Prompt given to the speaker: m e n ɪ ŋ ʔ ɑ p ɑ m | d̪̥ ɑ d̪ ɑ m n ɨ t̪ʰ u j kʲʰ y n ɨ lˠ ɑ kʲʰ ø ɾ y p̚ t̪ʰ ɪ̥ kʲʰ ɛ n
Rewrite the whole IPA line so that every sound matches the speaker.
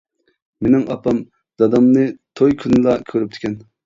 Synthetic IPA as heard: m e n ɪ ŋ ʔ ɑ p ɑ m | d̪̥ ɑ d̪ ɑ m n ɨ t̪ʰ o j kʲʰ y n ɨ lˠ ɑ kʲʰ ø ɾ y p̚ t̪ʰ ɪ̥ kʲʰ ɛ n